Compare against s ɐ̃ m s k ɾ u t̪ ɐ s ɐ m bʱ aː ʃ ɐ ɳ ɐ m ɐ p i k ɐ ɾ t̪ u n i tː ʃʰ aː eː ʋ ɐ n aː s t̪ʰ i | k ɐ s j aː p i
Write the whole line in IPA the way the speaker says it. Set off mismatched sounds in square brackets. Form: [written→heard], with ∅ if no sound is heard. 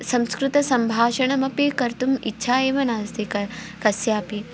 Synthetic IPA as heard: s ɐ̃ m s k ɾ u t̪ ɐ s ɐ m bʱ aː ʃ ɐ ɳ ɐ m ɐ p i k ɐ ɾ t̪ u [n→m] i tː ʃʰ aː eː ʋ ɐ n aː s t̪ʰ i | k ɐ s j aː p i